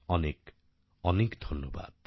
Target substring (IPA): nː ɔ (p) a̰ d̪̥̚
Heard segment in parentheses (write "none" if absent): b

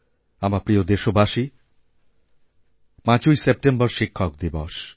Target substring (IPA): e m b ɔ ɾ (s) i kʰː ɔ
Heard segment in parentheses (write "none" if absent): ʃ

